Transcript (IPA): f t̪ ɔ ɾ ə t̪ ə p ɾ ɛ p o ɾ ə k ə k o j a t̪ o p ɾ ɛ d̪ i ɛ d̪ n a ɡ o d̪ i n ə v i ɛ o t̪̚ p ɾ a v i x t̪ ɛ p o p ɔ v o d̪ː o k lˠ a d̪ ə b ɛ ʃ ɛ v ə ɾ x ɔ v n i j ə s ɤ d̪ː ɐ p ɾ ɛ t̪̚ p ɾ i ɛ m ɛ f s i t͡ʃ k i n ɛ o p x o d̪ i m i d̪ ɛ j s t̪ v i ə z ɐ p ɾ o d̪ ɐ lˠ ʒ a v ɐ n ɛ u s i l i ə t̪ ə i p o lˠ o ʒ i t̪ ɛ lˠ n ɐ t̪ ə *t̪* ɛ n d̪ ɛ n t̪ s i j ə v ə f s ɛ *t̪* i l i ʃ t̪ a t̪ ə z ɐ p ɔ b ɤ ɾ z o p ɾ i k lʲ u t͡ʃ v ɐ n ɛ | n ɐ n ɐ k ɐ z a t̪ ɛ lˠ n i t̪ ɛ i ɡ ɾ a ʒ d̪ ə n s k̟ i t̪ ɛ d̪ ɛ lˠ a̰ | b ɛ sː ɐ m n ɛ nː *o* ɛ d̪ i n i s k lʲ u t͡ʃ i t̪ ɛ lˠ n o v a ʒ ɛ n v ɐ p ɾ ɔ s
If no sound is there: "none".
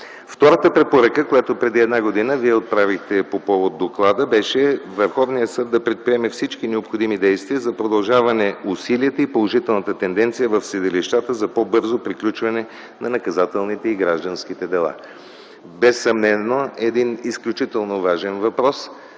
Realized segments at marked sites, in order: t̪, d̪, o

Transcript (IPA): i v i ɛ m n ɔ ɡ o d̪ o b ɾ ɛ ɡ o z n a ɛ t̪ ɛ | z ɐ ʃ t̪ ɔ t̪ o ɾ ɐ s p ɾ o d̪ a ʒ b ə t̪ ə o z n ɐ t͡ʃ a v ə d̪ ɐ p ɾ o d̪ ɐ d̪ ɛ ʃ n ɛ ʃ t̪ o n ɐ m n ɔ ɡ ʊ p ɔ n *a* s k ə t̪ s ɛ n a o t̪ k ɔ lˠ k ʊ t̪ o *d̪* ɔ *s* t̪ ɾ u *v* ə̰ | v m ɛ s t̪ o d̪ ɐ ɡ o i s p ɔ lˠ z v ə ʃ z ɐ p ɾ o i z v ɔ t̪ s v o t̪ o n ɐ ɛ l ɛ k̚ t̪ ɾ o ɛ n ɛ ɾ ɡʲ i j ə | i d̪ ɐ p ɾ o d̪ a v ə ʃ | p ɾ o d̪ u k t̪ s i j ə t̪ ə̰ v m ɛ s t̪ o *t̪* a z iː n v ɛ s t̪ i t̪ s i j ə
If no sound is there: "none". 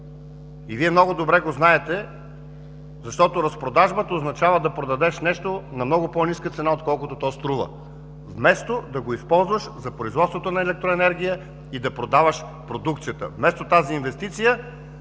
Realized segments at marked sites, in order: i, t̪, s, v, t̪

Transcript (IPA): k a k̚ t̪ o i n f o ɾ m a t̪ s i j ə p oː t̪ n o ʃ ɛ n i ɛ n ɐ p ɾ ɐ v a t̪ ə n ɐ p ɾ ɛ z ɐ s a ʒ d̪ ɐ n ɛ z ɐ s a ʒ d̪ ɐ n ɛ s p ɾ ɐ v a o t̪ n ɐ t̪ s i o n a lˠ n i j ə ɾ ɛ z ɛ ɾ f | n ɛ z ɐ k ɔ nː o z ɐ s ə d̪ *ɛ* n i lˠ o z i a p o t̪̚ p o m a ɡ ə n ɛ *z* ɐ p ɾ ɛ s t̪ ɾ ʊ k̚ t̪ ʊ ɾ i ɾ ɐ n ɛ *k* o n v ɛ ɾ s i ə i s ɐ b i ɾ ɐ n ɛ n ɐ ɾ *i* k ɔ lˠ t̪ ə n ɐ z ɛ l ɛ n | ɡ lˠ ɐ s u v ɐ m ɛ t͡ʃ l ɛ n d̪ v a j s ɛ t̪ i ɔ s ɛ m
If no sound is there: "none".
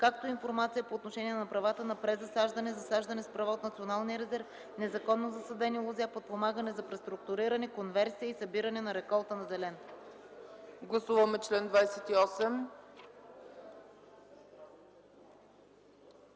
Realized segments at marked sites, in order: ɛ, z, k, ɛ

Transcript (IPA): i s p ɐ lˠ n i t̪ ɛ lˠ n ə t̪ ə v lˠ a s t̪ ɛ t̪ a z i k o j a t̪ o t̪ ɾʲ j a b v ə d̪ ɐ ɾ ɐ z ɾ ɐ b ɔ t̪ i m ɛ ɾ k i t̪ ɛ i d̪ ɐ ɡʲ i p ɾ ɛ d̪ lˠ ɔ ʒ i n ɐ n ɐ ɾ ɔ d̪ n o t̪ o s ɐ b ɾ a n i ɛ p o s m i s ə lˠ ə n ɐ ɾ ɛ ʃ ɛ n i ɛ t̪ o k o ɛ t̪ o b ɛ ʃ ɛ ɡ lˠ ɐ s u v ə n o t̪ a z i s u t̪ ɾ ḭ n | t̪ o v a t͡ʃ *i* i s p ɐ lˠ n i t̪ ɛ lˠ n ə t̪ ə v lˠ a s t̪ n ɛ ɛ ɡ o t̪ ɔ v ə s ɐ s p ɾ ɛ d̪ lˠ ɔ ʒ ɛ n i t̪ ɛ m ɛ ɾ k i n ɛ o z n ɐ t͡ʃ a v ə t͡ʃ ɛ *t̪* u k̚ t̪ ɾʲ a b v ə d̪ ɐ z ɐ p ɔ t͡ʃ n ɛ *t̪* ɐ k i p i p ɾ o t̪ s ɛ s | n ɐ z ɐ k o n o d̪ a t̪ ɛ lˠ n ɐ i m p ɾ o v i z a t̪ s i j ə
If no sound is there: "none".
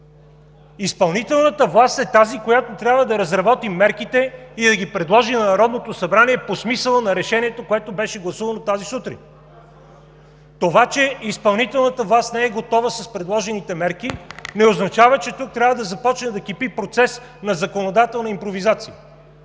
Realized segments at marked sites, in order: ɛ, t̪, d̪

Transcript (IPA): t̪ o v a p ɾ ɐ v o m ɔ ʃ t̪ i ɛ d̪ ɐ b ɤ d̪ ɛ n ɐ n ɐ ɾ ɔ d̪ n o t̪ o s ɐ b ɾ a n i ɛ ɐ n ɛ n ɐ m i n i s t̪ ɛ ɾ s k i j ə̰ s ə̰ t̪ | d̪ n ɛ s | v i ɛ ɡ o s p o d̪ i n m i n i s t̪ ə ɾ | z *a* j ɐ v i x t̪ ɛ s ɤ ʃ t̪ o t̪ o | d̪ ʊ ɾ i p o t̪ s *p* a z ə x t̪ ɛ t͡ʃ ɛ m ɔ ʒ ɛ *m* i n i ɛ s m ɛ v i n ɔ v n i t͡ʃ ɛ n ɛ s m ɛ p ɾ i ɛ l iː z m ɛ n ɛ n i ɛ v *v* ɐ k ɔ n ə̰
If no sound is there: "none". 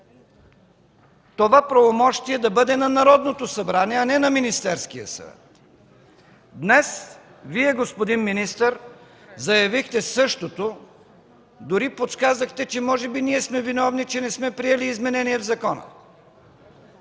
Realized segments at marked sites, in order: ɐ, k, b, z

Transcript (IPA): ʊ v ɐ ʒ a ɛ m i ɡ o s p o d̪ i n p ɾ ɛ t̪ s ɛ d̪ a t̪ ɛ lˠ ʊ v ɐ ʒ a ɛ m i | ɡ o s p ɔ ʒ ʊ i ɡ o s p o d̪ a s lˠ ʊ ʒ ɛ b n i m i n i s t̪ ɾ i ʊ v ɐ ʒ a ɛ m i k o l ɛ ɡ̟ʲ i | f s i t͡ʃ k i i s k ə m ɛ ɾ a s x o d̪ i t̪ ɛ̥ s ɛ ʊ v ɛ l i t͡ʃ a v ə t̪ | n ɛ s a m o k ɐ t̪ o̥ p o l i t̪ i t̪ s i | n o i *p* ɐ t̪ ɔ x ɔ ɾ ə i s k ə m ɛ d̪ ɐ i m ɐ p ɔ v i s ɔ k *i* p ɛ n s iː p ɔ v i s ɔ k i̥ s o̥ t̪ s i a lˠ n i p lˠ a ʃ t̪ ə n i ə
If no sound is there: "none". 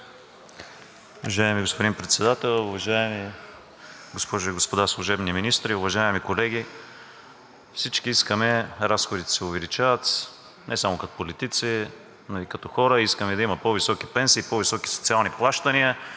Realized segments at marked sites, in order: k, i

